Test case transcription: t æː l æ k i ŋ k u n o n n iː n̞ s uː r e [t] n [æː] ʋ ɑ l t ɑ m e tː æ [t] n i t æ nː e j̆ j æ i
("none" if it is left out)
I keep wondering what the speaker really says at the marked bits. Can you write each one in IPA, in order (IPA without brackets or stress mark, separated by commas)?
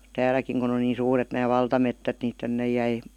t, æː, t